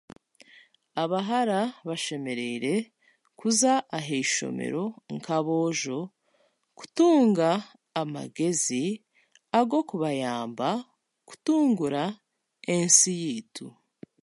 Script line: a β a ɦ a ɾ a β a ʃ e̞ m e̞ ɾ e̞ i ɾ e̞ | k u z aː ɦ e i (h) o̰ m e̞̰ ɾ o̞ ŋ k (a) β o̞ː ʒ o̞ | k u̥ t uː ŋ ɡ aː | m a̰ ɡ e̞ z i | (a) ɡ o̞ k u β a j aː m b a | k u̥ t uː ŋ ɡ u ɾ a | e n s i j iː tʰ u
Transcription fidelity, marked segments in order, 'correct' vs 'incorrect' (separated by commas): incorrect, correct, correct